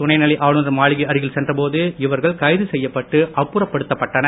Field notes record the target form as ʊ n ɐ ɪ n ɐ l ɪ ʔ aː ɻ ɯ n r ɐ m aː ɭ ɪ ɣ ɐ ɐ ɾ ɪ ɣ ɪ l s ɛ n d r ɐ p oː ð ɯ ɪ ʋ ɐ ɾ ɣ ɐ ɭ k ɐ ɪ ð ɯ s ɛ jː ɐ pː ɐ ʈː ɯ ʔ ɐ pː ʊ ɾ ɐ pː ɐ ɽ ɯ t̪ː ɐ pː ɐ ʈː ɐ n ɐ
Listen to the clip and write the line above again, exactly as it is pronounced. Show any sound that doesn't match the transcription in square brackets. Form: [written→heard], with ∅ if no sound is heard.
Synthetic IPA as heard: ʊ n ɐ ɪ n ɐ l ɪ ʔ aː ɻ ɯ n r ɐ m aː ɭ ɪ ɣ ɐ ɐ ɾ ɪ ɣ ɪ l s ɛ n d r ɐ p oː ð ɯ ɪ ʋ ɐ ɾ ɣ ɐ ɭ k ɐ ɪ ð ɯ s ɛ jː ɐ pː ɐ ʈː ɯ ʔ ɐ pː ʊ ɾ ɐ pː ɐ ɽ ɯ t̪ː ɐ pː ɐ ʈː ɐ n ɐ